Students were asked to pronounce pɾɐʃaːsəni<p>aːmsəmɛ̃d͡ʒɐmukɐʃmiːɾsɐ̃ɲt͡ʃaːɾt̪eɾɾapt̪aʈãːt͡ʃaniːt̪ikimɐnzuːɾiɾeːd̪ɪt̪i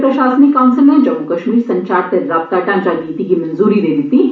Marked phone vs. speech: incorrect: k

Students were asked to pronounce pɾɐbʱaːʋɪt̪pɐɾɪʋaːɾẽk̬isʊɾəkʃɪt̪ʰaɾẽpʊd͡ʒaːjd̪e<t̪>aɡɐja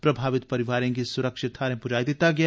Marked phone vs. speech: correct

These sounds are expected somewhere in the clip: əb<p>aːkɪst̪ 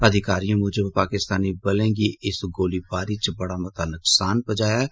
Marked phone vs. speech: correct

